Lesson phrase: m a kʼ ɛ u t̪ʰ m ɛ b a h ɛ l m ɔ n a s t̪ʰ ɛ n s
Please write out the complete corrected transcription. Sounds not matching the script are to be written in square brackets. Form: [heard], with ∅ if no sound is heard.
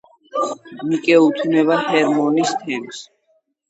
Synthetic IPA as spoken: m [i] kʼ ɛ u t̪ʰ [n] ɛ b a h ɛ [ɾ] m ɔ n [i] s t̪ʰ ɛ [m] s